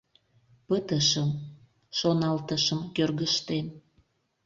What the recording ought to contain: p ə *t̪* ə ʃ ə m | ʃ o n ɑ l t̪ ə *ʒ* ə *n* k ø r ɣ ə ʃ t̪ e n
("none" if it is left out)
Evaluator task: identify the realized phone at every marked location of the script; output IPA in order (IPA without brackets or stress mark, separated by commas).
t̪, ʃ, m